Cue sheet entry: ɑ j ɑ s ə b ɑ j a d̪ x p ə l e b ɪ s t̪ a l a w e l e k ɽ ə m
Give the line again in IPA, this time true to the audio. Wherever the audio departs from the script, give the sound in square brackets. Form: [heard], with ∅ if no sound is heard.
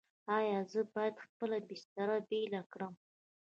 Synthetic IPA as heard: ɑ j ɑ [z] ə b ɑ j a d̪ x p ə l [a] b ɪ s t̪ a [ɾ] a [b] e l [a] k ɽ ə m